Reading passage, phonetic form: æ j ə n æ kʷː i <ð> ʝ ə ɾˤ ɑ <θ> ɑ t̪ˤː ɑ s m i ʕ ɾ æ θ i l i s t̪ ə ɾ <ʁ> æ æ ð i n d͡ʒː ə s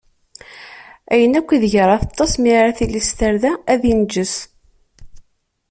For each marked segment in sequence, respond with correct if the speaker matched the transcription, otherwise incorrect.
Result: correct, correct, incorrect: ð

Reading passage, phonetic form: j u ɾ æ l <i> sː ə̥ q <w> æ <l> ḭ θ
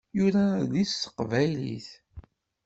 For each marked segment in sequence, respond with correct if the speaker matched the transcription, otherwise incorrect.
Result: correct, incorrect: v, correct

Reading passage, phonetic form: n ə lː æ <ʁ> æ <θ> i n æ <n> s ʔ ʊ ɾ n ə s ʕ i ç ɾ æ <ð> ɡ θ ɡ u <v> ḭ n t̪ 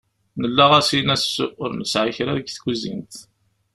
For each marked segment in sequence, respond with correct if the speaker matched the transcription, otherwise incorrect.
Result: correct, incorrect: s, incorrect: none, correct, incorrect: z

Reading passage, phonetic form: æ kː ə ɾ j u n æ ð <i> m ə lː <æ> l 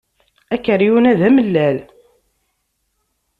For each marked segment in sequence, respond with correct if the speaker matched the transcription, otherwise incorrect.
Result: incorrect: æ, correct

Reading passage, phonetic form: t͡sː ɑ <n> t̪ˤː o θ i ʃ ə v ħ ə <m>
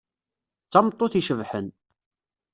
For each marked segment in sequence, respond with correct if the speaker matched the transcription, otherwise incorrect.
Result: incorrect: m, incorrect: n

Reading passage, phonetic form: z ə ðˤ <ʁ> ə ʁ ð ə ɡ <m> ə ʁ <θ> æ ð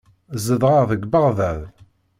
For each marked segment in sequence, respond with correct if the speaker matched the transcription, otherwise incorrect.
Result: correct, incorrect: b, incorrect: ð

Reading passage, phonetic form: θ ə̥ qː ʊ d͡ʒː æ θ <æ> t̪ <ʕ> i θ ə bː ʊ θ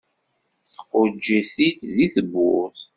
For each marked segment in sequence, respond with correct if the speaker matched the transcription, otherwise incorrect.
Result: incorrect: i, incorrect: ð

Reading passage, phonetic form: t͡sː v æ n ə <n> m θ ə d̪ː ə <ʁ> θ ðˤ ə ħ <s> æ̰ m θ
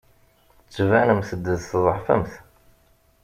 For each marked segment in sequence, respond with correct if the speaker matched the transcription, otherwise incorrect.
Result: incorrect: none, incorrect: ð, incorrect: f

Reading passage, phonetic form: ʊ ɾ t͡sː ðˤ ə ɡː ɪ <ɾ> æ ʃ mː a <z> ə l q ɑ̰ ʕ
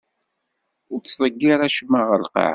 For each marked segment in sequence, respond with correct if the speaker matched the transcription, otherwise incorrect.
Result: correct, incorrect: ʁ

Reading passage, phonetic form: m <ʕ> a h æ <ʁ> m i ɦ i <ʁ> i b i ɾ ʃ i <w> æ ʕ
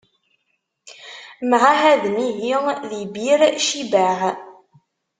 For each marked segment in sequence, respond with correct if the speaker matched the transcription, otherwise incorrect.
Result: correct, incorrect: ð, incorrect: ð, incorrect: b

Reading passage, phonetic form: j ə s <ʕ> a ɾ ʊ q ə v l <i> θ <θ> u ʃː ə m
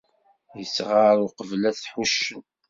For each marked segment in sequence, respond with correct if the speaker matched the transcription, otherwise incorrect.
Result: incorrect: ʁ, incorrect: æ, incorrect: ħ

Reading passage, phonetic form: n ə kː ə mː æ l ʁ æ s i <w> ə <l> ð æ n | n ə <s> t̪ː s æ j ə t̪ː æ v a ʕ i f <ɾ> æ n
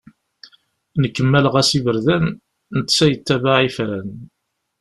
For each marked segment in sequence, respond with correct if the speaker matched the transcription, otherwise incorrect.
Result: incorrect: v, incorrect: ɾ, incorrect: none, correct

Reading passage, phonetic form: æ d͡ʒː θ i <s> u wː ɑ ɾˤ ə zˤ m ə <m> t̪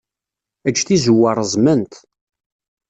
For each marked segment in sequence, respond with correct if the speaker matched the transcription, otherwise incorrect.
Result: incorrect: z, incorrect: n

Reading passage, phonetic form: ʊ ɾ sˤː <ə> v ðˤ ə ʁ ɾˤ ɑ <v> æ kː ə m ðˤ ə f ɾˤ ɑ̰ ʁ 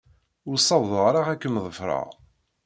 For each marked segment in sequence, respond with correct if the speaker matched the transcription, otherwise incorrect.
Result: incorrect: ɑ, incorrect: ʁ

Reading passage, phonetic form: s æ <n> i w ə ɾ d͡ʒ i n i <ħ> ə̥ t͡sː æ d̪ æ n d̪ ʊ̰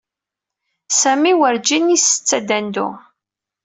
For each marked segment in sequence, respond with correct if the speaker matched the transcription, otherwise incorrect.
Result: incorrect: m, incorrect: s

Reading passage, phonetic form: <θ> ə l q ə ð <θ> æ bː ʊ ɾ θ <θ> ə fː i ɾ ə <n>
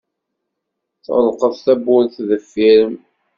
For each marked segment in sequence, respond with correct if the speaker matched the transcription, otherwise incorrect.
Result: correct, correct, incorrect: ð, incorrect: m

